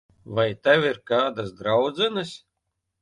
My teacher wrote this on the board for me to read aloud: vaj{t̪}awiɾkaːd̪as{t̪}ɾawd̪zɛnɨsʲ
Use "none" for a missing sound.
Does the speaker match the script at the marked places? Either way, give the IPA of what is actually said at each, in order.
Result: t̪, d̪

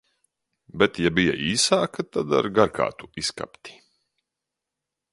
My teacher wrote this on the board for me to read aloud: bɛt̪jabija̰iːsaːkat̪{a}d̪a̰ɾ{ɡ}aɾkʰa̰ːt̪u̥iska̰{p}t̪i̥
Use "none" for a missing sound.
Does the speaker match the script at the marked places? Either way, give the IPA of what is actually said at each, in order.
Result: a, ɡ, p

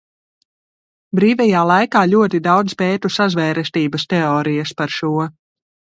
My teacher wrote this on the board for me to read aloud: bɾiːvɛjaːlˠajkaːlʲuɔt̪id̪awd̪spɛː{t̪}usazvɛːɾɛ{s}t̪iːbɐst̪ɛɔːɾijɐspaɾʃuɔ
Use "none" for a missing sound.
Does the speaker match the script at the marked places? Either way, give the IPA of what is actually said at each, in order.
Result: t̪, s

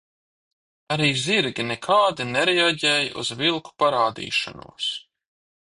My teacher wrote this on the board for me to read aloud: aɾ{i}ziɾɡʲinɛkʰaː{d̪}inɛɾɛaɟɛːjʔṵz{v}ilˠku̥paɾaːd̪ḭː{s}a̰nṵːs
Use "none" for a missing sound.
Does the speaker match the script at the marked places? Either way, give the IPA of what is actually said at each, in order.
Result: iː, d̪, v, ʃ

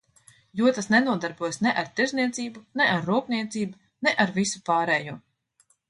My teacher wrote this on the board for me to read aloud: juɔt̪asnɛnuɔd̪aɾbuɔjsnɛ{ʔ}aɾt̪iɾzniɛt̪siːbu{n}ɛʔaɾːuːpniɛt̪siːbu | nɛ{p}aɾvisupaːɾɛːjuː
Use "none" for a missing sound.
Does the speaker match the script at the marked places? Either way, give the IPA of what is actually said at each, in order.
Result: ʔ, n, ʔ

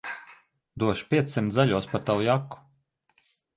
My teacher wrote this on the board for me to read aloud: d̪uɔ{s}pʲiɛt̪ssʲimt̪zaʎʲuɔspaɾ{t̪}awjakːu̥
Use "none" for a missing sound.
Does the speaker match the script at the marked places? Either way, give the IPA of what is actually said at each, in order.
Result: ʃ, t̪

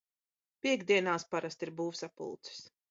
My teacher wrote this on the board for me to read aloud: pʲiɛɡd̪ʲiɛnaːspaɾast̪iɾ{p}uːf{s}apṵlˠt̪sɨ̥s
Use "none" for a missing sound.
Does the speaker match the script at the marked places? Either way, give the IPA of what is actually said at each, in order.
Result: b, s

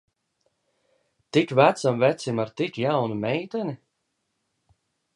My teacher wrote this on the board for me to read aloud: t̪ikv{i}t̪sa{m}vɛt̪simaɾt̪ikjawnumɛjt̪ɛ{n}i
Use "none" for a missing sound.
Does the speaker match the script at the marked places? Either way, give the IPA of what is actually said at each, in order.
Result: æ, m, n

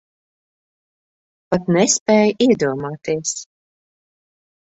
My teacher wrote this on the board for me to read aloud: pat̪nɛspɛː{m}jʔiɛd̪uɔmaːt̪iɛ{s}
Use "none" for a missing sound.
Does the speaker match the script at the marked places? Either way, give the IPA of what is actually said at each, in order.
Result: none, s

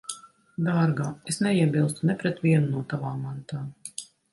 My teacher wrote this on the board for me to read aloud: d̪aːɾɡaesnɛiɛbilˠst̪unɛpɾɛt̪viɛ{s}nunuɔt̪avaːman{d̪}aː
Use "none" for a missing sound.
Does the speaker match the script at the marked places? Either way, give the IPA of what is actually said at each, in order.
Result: none, t̪

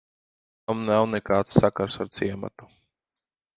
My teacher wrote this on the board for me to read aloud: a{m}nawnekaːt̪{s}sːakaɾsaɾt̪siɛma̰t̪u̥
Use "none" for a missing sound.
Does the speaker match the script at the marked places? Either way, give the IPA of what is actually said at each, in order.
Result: m, s

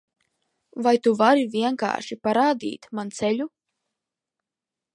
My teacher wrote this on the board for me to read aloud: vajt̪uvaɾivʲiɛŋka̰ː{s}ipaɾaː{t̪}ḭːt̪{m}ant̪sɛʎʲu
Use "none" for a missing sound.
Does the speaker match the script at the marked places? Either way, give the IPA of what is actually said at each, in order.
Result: ʃ, d̪, m

